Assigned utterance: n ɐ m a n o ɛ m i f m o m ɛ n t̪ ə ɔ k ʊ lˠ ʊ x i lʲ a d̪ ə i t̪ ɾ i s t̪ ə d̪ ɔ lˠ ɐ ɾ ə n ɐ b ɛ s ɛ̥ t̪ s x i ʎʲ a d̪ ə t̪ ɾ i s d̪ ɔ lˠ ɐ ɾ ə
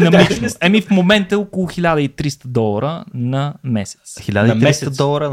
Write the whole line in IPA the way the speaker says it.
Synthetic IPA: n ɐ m i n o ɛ m i f m o m ɛ n t̪ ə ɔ k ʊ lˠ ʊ x i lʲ a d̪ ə i t̪ ɾ i s t̪ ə d̪ ɔ lˠ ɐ ɾ ə n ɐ m ɛ s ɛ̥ t̪ s x i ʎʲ a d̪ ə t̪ ɾ i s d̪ ɔ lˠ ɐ ɾ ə